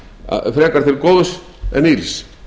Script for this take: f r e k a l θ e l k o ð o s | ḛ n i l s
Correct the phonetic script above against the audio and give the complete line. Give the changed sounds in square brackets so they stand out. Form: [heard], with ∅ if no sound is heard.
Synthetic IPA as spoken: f [ɾ] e k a [ɾ] θ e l k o ð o s | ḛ n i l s